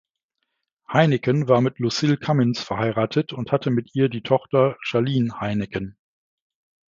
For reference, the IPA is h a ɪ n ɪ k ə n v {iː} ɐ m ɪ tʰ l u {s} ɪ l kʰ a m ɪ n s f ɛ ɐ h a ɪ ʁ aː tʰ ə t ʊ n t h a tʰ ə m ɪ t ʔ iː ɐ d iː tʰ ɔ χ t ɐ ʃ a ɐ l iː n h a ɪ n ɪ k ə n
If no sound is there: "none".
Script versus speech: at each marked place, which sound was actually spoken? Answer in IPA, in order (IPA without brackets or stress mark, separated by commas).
aː, s